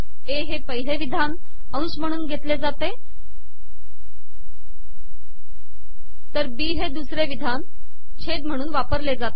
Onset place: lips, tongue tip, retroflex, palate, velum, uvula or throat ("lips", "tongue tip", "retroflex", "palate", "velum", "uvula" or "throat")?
throat